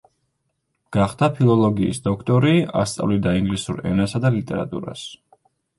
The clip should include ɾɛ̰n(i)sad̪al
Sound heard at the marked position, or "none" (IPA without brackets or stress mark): a